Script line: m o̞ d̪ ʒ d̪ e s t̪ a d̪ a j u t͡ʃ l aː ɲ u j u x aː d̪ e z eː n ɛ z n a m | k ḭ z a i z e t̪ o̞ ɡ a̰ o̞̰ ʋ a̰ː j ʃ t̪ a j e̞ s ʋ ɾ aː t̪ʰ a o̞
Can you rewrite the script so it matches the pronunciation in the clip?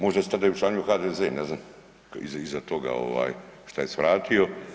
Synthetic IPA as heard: m o̞ ʒ d̪ a s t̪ a d̪ a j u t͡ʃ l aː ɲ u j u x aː d̪ e z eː n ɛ z n a m | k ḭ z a i z a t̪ o̞ ɡ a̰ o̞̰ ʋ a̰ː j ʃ t̪ a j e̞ s ʋ ɾ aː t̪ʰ i o̞